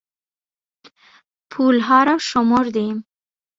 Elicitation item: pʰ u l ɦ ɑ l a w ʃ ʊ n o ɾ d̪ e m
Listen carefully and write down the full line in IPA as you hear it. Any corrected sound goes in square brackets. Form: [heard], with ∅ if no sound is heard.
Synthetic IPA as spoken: pʰ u l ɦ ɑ [ɾ] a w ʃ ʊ [m] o ɾ d̪ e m